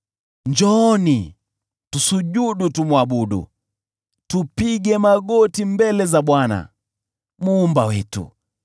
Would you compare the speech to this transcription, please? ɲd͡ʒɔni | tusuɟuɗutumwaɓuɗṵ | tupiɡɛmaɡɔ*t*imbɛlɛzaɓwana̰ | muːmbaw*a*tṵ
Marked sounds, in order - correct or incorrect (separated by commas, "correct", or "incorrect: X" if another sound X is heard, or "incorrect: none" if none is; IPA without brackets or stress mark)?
correct, incorrect: ɛ